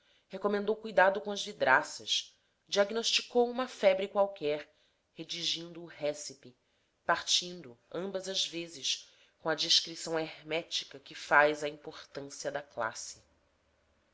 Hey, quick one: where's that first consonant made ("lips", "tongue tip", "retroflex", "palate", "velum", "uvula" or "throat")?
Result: throat